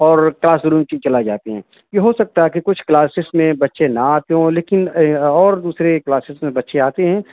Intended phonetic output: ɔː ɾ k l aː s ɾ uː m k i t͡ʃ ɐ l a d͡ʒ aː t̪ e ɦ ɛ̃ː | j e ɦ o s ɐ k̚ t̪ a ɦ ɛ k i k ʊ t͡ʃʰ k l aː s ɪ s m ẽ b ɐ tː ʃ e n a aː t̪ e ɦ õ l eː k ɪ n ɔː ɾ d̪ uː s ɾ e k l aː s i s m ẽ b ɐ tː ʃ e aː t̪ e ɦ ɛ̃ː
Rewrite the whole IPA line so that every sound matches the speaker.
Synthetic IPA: ɔː ɾ k l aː s ɾ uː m k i t͡ʃ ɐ l a d͡ʒ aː t̪ e ɦ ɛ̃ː | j e ɦ o s ɐ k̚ t̪ a ɦ ɛ k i k ʊ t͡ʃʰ k l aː s ɪ s m ẽ b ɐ tː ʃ e n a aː t̪ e ɦ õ l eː k ɪ n ɔː ɾ d̪ uː s ɾ e k l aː s ɪ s m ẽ b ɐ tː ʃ e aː t̪ e ɦ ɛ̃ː